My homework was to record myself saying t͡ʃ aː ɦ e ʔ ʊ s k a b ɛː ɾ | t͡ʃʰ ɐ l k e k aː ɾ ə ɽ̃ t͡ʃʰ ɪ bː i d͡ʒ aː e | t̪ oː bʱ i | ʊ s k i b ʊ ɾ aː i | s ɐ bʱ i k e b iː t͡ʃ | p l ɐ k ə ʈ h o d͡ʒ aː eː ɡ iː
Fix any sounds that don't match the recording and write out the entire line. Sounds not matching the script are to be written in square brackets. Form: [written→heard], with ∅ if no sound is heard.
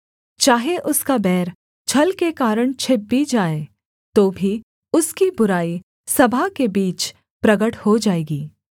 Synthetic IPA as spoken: t͡ʃ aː ɦ e ʔ ʊ s k a b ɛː ɾ | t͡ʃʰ ɐ l k e k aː ɾ ə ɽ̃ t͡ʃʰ ɪ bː i d͡ʒ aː e | t̪ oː bʱ i | ʊ s k i b ʊ ɾ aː i | s ɐ bʱ [i→a] k e b iː t͡ʃ | p [l→ɾ] ɐ [k→ɡ] ə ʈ h o d͡ʒ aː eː ɡ iː